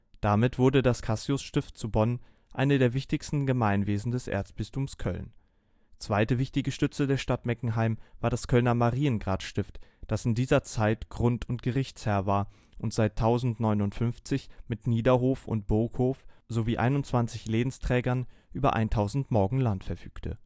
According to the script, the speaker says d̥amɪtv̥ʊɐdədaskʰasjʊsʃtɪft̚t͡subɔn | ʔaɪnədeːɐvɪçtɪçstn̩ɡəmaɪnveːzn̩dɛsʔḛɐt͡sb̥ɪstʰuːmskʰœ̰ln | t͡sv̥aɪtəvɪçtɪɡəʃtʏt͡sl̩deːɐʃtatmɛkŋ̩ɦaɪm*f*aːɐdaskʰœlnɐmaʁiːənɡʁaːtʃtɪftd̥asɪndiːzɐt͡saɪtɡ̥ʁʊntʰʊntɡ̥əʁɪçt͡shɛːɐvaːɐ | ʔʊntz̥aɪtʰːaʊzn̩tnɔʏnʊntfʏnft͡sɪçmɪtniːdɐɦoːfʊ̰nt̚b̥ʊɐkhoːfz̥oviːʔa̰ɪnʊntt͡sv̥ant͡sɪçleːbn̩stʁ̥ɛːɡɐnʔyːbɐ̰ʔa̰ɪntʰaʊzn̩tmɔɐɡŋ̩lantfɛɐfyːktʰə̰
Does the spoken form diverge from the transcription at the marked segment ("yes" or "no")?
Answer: yes